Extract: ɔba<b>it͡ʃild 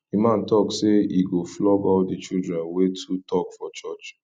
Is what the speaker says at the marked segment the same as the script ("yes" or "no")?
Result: no